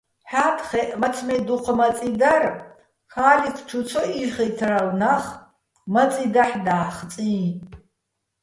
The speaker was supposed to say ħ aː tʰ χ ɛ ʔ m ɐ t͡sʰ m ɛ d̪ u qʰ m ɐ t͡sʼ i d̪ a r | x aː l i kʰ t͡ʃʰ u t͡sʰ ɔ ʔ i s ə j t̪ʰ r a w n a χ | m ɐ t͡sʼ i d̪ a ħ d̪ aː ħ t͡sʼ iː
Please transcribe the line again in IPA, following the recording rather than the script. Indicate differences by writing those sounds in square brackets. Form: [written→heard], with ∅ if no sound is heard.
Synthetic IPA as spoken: ħ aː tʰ χ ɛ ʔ m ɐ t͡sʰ m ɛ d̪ u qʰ m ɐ t͡sʼ i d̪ a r | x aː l i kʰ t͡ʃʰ u t͡sʰ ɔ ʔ i [s→χ] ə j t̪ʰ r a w n a χ | m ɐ t͡sʼ i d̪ a ħ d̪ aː [ħ→χ] t͡sʼ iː